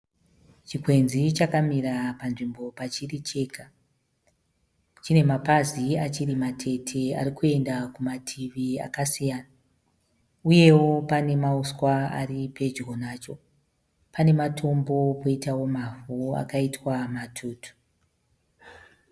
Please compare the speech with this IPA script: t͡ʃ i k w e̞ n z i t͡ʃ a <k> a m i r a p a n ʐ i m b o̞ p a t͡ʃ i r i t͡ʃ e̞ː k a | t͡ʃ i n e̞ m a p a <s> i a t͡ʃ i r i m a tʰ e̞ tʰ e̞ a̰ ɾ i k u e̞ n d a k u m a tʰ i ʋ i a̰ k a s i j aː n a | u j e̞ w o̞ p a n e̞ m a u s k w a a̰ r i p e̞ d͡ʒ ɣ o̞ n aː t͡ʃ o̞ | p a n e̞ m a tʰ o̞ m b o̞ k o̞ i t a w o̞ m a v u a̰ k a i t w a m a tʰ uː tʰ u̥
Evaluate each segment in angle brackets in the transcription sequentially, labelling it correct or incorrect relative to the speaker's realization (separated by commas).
correct, incorrect